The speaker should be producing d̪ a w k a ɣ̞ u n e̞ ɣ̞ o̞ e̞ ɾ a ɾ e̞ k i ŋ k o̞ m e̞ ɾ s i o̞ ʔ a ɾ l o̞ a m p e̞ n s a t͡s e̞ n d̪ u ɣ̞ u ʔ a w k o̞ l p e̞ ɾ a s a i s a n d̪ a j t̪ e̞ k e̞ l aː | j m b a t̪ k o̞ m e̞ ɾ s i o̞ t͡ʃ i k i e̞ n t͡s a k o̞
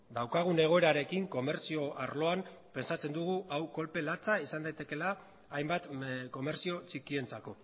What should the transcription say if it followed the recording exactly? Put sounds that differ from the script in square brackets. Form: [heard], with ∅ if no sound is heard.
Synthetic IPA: d̪ a w k a ɣ̞ u n e̞ ɣ̞ o̞ e̞ ɾ a ɾ e̞ k i ŋ k o̞ m e̞ ɾ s i o̞ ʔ a ɾ l o̞ a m p e̞ n s a t͡s e̞ n d̪ u ɣ̞ u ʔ a w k o̞ l p e̞ [l] a [t͡s] a i s a n d̪ a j t̪ e̞ k e̞ l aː | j m b a t̪ k o̞ m e̞ ɾ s i o̞ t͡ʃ i k i e̞ n t͡s a k o̞